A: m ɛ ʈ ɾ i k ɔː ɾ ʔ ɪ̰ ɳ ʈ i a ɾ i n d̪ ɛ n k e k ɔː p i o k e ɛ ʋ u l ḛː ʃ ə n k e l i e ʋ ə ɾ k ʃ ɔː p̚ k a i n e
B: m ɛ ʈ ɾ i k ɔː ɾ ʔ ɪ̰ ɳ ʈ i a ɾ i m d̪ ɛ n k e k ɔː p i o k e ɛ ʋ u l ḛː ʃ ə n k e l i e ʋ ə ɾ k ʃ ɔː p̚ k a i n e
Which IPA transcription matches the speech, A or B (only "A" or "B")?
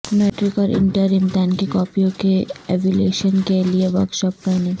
B